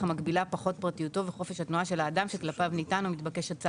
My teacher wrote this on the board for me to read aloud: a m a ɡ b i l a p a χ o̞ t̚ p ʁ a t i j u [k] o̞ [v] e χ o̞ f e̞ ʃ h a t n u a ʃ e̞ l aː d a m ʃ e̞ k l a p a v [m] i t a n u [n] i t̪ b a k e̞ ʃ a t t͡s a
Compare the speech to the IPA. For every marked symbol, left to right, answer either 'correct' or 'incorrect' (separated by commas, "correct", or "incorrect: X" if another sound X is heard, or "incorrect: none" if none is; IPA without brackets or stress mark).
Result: incorrect: t, correct, incorrect: n, incorrect: m